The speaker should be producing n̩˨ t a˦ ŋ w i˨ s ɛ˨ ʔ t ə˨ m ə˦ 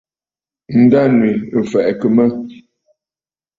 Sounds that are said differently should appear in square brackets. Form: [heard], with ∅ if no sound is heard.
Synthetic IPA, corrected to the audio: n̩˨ [d] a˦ [n] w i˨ [f] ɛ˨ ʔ [k] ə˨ m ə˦